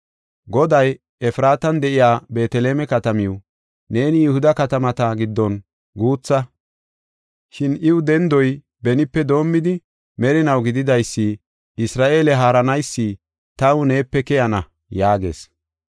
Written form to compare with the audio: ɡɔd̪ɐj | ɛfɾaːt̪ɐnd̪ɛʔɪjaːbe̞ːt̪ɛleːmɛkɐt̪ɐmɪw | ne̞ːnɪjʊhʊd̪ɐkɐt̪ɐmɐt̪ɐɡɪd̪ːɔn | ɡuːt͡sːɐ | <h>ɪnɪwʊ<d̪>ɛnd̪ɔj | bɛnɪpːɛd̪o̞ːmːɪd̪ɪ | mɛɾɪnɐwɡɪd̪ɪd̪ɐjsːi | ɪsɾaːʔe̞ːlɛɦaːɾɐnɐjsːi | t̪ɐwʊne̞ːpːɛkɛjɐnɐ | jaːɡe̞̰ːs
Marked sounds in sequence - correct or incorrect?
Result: incorrect: ʃ, correct

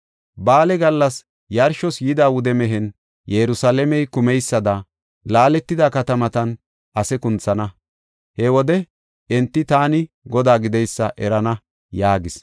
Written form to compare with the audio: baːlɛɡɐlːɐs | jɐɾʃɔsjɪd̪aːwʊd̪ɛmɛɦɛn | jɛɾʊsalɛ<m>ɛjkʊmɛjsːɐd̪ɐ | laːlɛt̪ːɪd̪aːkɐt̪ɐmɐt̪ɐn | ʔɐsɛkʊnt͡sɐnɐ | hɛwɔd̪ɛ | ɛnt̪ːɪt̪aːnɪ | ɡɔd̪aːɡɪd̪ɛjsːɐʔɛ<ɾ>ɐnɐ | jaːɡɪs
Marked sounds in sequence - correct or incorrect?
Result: correct, correct

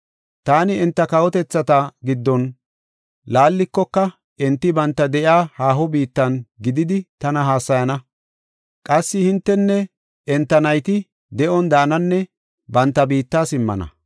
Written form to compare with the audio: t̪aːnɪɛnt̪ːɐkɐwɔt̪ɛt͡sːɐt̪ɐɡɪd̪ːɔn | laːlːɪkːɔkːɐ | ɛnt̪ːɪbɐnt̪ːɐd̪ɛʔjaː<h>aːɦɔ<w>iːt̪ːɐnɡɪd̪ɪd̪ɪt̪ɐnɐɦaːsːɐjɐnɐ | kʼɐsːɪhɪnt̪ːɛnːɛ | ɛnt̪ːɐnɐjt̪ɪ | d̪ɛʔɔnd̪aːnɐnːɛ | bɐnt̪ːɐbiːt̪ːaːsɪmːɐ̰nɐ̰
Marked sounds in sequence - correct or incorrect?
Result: correct, incorrect: b

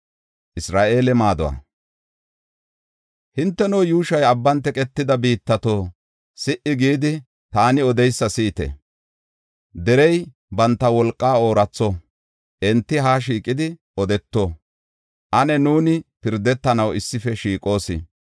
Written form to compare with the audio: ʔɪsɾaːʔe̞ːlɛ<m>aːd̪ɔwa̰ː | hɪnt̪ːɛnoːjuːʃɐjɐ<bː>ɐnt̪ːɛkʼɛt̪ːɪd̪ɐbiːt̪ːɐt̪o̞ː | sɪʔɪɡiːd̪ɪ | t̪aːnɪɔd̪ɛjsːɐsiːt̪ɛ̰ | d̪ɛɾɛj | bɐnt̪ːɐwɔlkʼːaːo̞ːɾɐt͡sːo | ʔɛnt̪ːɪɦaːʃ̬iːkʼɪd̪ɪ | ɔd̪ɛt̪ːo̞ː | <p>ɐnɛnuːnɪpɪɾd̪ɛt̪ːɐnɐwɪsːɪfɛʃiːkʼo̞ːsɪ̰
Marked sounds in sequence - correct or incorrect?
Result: correct, correct, incorrect: ʔ

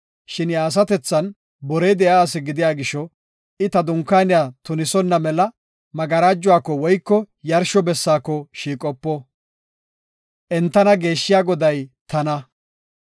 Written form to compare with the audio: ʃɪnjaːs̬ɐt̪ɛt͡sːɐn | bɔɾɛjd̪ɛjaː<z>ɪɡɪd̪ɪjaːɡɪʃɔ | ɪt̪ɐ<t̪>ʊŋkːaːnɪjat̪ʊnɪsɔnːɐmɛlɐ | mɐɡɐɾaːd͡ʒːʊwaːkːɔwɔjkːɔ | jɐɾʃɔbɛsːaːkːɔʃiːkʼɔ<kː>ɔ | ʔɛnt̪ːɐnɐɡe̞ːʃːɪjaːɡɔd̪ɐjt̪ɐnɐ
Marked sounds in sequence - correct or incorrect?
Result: incorrect: s, incorrect: d̪, incorrect: pː

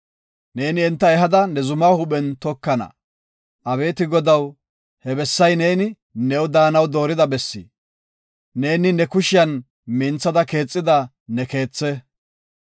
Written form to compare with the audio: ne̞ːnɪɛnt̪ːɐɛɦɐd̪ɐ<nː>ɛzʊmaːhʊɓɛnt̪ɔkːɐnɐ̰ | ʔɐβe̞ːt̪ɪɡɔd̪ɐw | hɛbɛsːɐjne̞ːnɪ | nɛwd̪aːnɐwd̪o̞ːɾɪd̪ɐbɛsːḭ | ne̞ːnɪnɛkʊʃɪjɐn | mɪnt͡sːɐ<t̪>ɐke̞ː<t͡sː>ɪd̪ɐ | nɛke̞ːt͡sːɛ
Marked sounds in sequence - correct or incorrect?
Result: incorrect: n, incorrect: d̪, incorrect: t͡sʼː

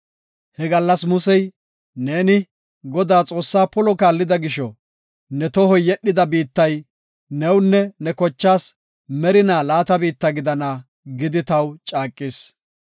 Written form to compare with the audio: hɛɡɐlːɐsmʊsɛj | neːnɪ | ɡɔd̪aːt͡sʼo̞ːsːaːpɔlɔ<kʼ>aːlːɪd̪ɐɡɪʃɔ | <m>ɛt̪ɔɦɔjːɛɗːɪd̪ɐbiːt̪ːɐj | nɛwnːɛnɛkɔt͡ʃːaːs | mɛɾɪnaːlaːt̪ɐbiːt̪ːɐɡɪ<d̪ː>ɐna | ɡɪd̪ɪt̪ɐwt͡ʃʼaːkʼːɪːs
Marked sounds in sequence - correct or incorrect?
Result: incorrect: k, incorrect: n, incorrect: d̪

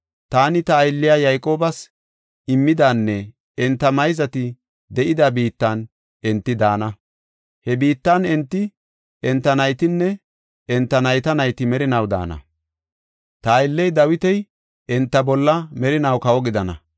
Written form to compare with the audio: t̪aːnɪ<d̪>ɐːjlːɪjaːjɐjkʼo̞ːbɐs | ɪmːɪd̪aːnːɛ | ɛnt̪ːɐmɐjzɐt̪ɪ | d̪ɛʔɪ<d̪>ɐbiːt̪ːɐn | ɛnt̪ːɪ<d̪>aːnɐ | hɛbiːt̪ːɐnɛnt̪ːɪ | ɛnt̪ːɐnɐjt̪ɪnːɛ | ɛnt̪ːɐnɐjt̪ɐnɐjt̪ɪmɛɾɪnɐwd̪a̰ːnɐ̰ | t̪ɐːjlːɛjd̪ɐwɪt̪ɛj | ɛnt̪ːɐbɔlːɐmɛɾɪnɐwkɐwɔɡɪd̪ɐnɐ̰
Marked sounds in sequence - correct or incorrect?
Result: incorrect: t̪, correct, correct

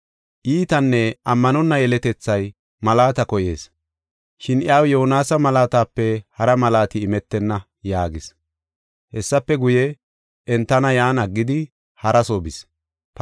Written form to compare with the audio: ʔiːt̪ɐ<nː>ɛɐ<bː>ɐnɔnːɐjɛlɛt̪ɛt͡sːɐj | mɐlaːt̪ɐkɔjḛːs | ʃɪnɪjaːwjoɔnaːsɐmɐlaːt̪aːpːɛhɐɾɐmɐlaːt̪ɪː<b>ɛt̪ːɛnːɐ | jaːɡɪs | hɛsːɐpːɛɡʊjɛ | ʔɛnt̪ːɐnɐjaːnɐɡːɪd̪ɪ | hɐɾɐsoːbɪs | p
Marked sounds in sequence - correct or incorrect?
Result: correct, incorrect: mː, incorrect: m

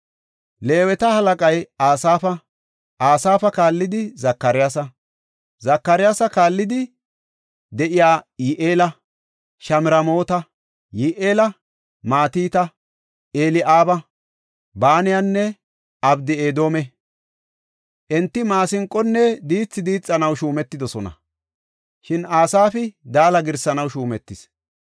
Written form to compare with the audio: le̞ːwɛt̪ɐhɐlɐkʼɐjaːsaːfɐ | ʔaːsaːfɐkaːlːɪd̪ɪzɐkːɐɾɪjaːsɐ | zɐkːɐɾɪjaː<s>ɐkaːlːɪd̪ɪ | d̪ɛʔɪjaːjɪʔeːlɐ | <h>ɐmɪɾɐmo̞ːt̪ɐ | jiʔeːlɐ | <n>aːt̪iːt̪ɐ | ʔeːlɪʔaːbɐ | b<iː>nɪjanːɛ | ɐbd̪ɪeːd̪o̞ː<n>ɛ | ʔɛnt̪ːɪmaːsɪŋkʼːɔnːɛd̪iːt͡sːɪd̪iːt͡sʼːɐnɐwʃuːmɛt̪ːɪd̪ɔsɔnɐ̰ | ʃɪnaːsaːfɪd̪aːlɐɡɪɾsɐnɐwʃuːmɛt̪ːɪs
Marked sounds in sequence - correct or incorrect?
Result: correct, incorrect: ʃ, incorrect: m, incorrect: aː, incorrect: m

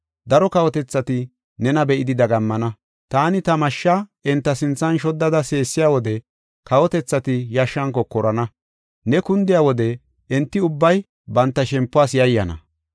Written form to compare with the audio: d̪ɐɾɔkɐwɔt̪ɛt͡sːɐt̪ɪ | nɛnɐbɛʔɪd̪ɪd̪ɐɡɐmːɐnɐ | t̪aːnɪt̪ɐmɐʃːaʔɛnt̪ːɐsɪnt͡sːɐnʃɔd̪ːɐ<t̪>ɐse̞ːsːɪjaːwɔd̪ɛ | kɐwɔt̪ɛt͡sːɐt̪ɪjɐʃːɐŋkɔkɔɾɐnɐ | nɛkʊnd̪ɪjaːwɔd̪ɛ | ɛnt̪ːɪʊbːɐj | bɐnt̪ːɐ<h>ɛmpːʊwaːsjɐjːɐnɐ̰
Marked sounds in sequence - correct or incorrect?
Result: incorrect: d̪, incorrect: ʃ

